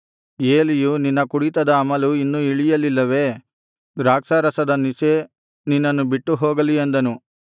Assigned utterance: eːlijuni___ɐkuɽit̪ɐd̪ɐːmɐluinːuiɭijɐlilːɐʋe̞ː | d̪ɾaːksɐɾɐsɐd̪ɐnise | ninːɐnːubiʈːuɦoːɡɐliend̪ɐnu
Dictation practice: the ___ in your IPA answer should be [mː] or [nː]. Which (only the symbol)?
nː